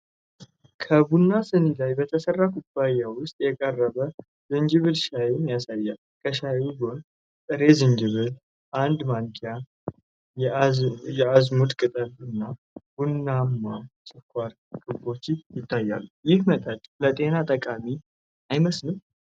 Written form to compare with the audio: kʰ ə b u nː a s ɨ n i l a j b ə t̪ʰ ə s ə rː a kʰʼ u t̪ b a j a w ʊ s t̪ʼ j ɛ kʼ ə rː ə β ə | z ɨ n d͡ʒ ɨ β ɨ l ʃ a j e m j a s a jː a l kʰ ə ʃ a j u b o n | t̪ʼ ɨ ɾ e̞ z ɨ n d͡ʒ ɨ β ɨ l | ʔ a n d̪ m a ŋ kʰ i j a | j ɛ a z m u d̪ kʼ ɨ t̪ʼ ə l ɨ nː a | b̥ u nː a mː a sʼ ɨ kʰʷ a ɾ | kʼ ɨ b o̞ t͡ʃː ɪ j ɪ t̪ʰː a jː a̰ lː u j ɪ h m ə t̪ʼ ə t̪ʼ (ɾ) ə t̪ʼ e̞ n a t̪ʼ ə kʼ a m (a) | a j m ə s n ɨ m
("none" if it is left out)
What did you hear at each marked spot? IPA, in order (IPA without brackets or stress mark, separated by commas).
l, i